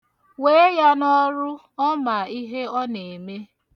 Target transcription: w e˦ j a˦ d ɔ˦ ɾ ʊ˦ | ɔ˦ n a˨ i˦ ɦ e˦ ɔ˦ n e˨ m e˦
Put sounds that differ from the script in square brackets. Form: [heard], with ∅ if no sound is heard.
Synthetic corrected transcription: w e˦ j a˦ [n] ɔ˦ ɾ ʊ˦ | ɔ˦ [m] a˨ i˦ ɦ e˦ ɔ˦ n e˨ m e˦